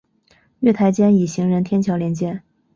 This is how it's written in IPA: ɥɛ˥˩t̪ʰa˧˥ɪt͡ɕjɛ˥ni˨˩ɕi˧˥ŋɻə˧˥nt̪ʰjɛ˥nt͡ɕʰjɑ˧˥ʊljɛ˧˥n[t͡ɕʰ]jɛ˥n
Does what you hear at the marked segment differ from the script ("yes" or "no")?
yes